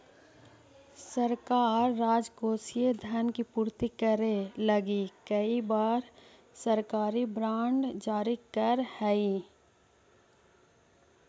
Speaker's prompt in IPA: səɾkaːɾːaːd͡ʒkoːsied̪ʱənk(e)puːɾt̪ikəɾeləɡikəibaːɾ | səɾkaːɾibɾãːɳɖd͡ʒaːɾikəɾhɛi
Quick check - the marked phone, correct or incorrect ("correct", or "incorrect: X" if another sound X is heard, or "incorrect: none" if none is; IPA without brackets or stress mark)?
incorrect: i